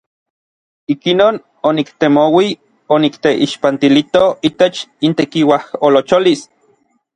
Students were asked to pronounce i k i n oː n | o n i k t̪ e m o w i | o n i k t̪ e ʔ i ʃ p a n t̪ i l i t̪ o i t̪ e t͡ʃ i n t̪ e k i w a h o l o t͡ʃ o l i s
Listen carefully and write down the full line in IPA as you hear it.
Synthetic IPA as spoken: i k i n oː n | o n i k t̪ e m o w i | o n i k t̪ e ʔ i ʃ p a n t̪ i l i t̪ o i t̪ e t͡ʃ i n t̪ e k i w a h o l o t͡ʃ o l i s